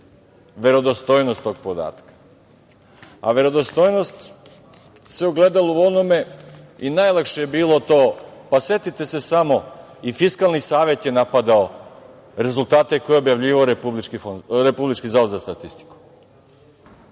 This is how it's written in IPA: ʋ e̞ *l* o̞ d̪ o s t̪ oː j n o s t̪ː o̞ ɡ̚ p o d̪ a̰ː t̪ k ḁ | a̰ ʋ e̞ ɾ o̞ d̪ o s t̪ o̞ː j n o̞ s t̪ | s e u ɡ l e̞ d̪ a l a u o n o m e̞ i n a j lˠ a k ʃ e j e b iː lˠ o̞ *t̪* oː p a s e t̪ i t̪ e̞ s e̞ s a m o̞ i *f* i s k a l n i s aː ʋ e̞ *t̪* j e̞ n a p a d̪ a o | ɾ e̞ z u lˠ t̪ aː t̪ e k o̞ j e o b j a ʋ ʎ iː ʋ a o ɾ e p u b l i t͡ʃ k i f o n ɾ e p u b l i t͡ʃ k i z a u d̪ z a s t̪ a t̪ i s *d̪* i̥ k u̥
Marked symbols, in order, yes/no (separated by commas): no, yes, yes, yes, no